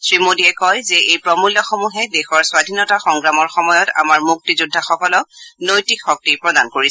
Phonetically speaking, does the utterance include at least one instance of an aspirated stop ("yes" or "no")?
no